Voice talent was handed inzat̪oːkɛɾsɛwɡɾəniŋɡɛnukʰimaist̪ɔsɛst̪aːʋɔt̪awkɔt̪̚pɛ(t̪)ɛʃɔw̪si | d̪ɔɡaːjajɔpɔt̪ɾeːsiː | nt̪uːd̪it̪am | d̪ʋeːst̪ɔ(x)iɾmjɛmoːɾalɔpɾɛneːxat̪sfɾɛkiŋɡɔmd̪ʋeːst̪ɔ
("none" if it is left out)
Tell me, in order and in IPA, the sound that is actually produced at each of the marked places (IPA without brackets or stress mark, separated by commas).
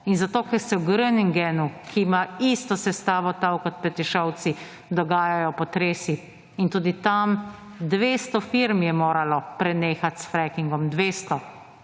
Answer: t̪, f